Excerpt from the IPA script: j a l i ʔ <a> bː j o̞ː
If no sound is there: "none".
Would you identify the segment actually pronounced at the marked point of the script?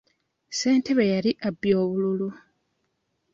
a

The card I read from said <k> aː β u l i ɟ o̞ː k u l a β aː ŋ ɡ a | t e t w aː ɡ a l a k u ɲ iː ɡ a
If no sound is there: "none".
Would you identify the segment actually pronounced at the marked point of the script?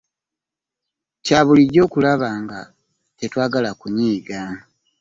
c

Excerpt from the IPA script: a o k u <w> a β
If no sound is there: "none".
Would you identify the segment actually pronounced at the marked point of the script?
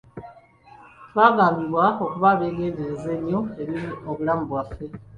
β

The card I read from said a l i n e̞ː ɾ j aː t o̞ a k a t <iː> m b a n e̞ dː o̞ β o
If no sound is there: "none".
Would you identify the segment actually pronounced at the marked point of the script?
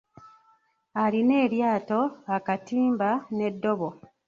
iː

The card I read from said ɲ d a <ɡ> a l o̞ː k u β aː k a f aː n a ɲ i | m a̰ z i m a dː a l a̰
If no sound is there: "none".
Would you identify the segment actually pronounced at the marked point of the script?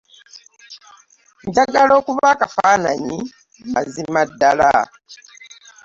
ɡ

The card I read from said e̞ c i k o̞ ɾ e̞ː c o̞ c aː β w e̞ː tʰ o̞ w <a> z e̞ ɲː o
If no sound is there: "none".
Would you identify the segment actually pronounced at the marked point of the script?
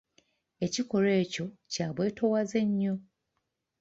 a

